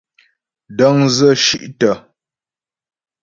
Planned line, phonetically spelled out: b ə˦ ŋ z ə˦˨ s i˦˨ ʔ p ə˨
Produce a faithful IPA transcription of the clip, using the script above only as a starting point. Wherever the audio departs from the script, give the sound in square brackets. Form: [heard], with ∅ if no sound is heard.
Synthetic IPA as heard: [d] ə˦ ŋ z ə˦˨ [ʃ] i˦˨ ʔ [t] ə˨